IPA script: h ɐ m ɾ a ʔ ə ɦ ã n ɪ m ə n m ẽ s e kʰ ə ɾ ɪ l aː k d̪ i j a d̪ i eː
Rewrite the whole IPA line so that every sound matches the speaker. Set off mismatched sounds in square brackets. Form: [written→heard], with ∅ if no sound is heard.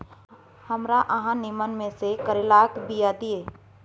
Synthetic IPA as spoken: h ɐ m ɾ a ʔ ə ɦ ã n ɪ m ə n m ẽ s e [kʰ→k] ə ɾ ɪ l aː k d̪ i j a d̪ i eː